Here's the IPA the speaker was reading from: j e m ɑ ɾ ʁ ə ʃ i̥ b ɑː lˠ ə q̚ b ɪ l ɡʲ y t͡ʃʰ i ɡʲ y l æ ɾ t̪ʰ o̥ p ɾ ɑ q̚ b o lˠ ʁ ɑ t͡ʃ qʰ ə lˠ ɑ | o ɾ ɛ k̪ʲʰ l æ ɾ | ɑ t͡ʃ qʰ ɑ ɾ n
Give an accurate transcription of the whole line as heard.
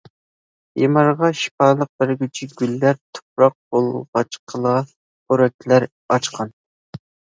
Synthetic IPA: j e m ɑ ɾ ʁ ɑ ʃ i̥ p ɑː lˠ ə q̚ b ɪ ɾ ɡʲ y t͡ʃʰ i ɡʲ y lː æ ɾ t̪ʰ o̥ p ɾ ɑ q̚ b o lˠ ʁ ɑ t͡ʃ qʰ ə lˠ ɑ | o ɾ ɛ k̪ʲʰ l æ ɾ | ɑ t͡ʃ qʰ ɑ n